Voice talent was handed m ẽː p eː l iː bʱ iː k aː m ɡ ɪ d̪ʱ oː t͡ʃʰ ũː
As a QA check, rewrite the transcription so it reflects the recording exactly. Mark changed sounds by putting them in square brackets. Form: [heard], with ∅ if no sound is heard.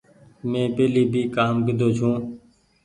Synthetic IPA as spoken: m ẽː p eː l iː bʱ iː k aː m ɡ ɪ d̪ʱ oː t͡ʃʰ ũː